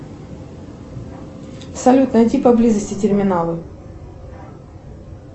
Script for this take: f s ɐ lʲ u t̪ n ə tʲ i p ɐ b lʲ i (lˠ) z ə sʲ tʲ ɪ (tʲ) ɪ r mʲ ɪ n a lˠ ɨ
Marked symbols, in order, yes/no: no, yes

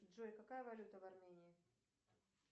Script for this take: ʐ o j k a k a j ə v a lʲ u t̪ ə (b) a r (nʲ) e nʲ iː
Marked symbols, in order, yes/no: no, no

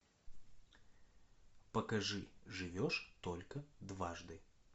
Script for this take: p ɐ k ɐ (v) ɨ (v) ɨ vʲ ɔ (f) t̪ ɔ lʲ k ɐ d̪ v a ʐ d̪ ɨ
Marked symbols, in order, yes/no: no, no, no

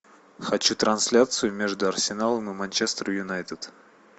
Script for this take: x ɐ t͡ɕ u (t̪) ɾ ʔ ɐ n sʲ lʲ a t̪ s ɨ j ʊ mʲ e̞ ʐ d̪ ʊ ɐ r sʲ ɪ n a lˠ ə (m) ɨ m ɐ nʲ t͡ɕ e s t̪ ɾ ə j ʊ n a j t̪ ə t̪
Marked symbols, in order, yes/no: yes, yes

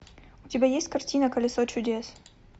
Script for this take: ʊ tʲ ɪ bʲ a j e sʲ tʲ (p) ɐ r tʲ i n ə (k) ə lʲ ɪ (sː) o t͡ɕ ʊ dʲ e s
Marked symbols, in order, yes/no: no, yes, no

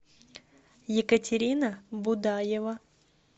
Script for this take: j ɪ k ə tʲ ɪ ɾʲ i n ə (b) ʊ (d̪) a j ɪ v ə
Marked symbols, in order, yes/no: yes, yes

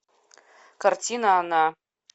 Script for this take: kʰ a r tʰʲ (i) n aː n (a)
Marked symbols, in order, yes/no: yes, yes

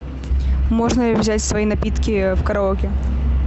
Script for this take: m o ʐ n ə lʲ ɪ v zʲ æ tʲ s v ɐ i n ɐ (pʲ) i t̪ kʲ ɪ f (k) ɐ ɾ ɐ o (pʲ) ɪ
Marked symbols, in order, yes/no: yes, yes, no

